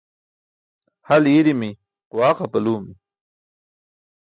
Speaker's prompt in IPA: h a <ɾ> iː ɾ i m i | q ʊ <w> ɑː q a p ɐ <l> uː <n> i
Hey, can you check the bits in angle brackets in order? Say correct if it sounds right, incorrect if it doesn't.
incorrect: l, correct, correct, incorrect: m

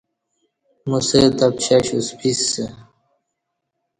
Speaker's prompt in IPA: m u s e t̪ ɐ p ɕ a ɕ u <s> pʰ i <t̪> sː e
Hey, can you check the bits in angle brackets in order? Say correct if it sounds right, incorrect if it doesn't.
correct, incorrect: none

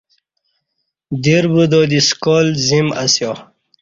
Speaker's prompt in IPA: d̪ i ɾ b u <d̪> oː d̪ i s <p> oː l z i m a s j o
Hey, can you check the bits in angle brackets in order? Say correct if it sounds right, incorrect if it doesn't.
correct, incorrect: k

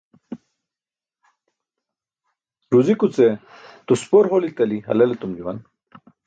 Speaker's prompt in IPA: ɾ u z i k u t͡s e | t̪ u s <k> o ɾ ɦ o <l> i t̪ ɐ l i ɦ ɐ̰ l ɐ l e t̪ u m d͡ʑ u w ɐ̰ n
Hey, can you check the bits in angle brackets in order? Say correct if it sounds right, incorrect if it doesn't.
incorrect: p, correct

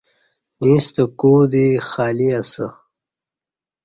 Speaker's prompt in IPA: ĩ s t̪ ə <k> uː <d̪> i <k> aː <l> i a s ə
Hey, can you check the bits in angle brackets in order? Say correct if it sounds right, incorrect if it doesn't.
correct, correct, incorrect: x, correct

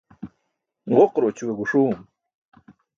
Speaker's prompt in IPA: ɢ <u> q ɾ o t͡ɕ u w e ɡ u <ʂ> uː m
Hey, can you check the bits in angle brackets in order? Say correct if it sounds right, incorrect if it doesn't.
incorrect: o, correct

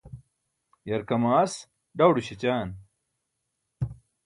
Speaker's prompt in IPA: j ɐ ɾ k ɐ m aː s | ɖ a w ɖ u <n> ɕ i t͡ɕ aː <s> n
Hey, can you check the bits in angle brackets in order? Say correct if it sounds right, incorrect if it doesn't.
incorrect: none, incorrect: none

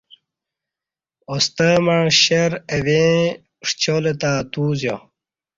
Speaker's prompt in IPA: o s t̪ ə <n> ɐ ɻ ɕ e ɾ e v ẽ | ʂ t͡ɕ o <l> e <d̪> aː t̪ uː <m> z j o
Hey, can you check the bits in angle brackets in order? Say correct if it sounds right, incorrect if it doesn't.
incorrect: m, correct, incorrect: t̪, incorrect: none

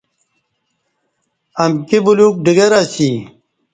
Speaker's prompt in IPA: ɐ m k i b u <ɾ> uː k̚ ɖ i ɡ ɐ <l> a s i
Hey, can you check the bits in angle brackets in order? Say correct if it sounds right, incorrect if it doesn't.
incorrect: l, incorrect: ɾ

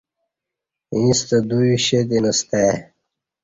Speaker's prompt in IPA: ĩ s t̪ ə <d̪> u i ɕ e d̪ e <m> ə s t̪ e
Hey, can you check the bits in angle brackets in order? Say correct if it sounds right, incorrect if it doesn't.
correct, incorrect: n

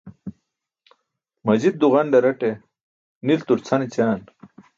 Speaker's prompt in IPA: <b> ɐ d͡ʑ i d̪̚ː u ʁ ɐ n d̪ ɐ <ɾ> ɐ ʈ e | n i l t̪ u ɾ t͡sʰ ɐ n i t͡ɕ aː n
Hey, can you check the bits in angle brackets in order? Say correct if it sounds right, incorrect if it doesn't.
incorrect: m, correct

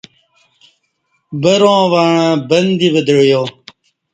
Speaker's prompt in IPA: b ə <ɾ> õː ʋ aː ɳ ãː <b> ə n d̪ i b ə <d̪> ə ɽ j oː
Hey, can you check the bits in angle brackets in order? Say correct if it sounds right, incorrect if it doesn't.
correct, correct, correct

